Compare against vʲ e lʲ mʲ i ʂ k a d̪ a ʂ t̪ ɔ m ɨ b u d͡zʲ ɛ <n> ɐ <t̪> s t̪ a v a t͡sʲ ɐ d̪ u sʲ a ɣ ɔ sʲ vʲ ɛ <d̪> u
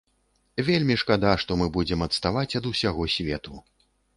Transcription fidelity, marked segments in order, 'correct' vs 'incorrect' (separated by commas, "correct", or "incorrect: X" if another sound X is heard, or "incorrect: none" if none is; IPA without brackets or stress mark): incorrect: m, correct, incorrect: t̪